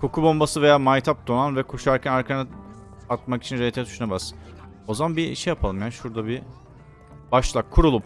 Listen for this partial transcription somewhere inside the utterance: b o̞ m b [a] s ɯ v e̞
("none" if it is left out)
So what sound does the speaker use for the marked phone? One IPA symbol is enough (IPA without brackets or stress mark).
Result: a